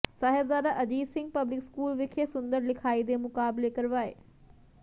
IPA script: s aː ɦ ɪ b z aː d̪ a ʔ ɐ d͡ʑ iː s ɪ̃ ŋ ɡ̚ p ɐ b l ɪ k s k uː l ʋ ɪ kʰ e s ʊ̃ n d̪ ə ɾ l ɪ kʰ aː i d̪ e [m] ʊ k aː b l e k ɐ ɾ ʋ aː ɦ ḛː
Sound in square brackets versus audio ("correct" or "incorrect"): correct